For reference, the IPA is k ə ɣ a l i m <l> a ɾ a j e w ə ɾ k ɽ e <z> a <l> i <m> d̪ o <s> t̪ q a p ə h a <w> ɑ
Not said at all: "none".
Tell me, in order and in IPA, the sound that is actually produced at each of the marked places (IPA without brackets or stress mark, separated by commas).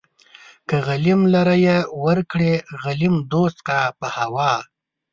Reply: l, ɣ, l, m, s, w